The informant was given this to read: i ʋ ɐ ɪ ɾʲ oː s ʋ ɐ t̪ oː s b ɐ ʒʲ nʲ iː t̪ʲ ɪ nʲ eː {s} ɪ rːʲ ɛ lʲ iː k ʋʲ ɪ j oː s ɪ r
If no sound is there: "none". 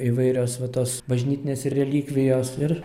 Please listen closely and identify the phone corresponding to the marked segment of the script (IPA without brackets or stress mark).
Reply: s